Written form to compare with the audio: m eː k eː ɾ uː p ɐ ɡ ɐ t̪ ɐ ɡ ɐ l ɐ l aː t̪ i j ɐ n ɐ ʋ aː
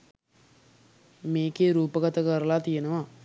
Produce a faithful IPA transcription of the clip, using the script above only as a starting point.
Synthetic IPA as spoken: m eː k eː ɾ uː p ɐ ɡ ɐ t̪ ɐ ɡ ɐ ɾ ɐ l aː t̪ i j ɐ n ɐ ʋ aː